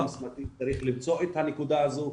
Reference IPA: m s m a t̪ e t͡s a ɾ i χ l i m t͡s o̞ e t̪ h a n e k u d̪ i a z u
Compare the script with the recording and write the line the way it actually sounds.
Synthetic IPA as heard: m s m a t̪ i t͡s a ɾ i χ l i m t͡s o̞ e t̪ h a n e k u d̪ a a z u

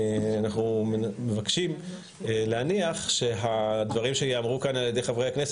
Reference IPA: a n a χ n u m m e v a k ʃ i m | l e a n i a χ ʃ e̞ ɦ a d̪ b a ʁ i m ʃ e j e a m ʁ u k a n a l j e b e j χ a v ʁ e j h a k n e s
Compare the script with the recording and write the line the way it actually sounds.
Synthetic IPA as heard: a n a χ n u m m e v a k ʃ i m | l e a n i a χ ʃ e̞ ɦ a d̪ v a ʁ i m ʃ e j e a m ʁ u k a n a l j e d e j χ a v ʁ e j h a k n e s

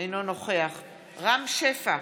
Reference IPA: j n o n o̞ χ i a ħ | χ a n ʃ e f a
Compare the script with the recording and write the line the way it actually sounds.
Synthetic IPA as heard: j n o n o̞ χ e a χ | ʁ a m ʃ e f a

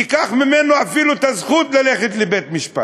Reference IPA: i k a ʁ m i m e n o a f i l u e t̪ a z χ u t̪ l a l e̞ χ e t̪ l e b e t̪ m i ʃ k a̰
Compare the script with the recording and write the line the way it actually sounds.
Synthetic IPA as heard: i k a χ m i m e n o a f i l u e t̪ a z χ u t̪ l a l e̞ χ e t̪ l e b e t̪ m i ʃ p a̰

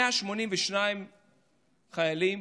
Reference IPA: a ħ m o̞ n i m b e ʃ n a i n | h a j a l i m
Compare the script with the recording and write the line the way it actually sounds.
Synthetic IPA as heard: a ʃ m o̞ n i m v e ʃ n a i m | χ a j a l i m

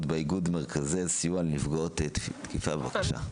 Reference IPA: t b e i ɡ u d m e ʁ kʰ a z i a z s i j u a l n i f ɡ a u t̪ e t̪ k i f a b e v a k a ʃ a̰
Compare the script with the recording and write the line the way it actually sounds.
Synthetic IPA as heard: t b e i ɡ u d m e ʁ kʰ a z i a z s i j u a l n i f ɡ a o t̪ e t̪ k i f a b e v a k a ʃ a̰

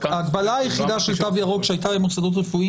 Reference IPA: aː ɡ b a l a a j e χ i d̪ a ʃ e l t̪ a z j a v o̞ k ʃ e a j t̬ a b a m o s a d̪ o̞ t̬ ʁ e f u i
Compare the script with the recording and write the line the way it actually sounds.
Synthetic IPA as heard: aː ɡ b a l a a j e χ i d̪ a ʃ e l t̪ a v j a ʁ o̞ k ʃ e a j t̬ a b e m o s a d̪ o̞ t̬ ʁ e f u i

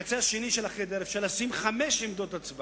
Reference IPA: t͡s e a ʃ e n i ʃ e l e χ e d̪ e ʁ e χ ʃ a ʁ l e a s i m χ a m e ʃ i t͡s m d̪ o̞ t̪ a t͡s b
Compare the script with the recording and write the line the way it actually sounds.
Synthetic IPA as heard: t͡s e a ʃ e n i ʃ e l a χ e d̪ e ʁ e f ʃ a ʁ l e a s i m χ a m e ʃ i m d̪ o̞ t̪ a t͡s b

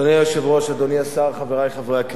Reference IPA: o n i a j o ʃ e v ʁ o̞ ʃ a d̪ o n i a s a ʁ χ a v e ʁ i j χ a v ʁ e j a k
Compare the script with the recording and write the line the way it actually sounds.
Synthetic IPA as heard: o n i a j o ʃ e v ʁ o̞ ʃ a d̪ o n i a s a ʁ χ a v e ʁ a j χ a v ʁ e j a k

